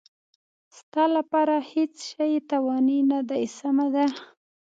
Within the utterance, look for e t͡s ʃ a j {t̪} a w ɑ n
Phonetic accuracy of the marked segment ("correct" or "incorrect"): correct